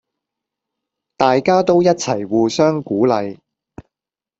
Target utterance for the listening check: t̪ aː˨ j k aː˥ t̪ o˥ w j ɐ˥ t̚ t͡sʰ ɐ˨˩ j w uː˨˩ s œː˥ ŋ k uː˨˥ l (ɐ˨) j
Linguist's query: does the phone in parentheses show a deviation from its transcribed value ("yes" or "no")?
no